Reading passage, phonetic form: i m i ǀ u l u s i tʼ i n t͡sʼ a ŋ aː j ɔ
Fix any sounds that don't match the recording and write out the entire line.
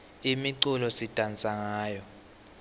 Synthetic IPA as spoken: i m i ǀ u l ɔ s i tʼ a n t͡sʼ a ŋ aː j ɔ